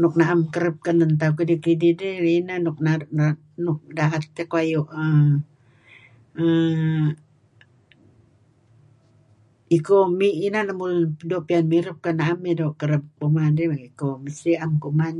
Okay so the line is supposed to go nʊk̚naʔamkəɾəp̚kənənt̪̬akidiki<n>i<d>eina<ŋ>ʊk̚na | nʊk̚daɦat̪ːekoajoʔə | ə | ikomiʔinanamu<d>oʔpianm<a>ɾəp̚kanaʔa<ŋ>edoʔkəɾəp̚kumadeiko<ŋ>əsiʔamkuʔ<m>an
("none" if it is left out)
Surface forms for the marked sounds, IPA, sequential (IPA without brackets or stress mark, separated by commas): d, d, n, d, i, m, m, m